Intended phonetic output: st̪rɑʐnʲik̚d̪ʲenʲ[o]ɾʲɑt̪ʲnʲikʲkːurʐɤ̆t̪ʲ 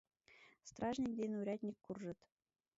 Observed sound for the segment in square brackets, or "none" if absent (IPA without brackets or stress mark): u